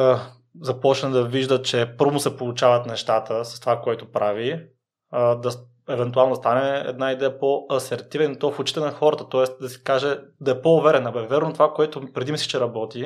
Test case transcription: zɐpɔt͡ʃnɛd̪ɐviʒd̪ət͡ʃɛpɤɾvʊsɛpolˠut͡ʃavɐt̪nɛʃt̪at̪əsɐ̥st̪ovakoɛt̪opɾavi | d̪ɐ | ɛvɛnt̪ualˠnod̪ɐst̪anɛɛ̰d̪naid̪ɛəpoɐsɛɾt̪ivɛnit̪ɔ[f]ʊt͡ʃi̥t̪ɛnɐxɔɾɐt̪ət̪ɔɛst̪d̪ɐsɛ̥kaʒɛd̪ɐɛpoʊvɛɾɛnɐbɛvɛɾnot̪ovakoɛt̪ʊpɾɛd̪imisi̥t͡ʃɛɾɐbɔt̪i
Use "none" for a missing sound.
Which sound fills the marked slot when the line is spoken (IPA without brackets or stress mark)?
f